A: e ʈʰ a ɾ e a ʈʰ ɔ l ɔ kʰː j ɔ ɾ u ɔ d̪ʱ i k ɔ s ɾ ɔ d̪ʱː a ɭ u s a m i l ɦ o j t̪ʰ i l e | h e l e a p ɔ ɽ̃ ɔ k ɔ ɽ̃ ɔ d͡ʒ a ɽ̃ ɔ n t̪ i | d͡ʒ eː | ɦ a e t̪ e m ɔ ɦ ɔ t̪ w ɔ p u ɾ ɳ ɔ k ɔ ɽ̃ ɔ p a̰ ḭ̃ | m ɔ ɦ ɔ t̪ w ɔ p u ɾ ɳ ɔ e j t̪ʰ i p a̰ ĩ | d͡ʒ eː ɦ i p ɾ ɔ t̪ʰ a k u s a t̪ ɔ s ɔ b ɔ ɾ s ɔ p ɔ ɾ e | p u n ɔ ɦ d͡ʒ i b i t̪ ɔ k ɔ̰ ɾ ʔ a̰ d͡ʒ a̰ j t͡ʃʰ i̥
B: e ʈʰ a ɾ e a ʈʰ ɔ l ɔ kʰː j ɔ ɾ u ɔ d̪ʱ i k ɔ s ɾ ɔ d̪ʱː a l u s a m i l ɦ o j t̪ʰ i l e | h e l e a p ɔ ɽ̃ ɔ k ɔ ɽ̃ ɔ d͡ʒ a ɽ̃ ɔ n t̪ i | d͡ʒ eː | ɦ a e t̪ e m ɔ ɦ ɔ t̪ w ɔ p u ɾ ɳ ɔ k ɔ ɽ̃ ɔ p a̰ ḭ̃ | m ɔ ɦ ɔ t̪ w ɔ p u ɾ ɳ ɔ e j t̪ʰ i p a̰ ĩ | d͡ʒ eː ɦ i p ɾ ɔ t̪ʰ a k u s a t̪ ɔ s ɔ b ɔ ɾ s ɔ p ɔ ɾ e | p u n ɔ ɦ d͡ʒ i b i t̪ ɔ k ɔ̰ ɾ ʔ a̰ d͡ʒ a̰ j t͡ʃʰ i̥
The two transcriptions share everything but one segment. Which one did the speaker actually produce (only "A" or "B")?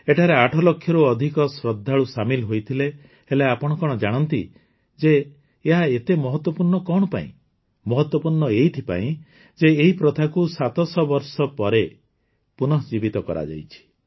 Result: A